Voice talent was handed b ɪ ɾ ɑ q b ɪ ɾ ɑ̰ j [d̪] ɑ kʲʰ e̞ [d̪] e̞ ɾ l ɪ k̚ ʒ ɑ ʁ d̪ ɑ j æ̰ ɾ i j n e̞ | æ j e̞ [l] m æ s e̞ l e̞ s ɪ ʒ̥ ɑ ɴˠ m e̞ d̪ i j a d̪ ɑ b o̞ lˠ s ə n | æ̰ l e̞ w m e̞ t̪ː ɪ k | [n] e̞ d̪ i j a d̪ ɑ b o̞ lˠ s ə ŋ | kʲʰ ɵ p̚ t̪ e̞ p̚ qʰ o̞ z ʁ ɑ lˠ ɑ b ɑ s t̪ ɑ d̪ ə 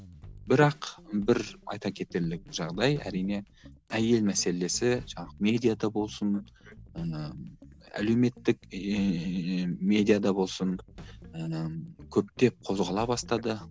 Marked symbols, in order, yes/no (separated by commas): no, no, yes, no